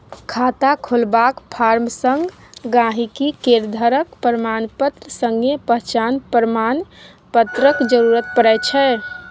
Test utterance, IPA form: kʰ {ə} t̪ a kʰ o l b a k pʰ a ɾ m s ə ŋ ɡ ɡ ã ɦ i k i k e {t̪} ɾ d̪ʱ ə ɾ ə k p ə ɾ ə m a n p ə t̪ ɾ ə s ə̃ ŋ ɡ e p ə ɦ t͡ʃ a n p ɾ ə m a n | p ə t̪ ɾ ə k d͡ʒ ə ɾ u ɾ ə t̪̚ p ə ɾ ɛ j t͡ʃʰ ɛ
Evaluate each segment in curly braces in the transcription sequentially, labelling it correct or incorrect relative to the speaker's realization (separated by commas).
incorrect, incorrect